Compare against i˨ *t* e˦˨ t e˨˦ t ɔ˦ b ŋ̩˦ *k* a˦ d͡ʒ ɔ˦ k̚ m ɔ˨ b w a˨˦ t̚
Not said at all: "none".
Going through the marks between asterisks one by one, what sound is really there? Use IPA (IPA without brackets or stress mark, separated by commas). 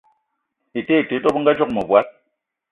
t, ɡ